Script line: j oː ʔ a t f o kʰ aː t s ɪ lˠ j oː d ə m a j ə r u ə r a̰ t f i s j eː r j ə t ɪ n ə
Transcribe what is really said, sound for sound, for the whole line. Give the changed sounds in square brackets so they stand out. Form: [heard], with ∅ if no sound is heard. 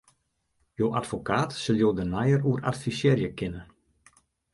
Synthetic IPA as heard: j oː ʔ a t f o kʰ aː t s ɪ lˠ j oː d ə [n] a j ə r u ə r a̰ t f i s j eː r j ə [k] ɪ n ə